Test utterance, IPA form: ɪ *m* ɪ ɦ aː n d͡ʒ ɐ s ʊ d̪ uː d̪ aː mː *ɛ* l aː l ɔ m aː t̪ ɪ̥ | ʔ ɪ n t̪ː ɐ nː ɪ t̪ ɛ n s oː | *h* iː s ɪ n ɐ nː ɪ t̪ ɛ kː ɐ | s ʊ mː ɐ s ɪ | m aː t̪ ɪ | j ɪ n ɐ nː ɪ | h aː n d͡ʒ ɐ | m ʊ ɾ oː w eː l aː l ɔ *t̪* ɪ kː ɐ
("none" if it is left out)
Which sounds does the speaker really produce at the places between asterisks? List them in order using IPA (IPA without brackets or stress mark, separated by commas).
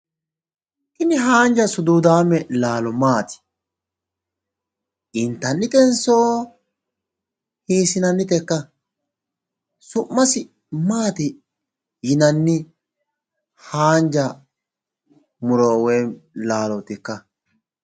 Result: n, ɛ, h, t̪